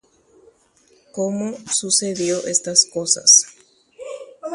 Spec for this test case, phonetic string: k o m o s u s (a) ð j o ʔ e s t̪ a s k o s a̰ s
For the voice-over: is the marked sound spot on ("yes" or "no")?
no